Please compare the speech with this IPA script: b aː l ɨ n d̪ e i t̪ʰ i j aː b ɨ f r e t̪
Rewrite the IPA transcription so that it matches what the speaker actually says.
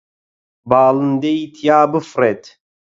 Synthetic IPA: b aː l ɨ n d̪ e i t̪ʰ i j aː b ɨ f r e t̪